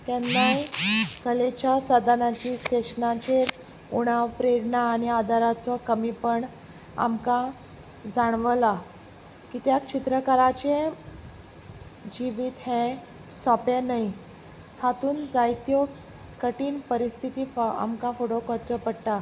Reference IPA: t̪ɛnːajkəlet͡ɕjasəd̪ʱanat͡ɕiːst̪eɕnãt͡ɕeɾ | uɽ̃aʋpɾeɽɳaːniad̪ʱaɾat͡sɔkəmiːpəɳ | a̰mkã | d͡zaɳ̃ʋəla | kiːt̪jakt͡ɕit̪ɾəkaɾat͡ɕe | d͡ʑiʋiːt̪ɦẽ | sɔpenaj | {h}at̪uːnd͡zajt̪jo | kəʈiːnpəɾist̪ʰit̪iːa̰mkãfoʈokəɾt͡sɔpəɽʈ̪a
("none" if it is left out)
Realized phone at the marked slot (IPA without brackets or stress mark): h